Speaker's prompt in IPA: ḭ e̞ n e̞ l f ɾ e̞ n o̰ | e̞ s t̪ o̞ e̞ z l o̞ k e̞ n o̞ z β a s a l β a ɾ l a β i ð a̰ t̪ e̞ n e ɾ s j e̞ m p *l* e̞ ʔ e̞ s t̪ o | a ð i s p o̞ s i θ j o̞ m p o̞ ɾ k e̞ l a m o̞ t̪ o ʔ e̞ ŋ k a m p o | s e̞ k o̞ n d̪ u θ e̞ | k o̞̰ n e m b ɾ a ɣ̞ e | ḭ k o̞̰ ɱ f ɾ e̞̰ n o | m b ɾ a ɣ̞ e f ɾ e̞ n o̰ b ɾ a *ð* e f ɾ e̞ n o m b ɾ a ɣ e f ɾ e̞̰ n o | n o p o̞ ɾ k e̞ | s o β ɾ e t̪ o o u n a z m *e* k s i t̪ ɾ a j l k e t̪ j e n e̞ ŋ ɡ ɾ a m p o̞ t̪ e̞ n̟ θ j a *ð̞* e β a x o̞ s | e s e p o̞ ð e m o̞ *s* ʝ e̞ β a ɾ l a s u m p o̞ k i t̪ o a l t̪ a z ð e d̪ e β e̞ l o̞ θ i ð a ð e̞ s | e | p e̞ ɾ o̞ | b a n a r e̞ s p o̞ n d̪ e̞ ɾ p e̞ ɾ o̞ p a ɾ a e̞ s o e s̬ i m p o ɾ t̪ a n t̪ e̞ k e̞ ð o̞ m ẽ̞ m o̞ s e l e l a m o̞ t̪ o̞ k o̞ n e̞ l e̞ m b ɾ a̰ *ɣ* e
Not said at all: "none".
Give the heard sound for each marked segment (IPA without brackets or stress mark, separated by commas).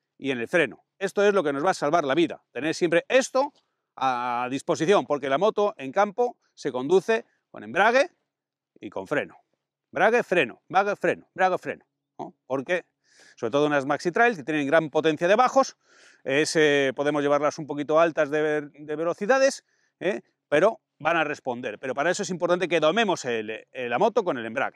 ɾ, ɣ, a, ð̞, z, ɣ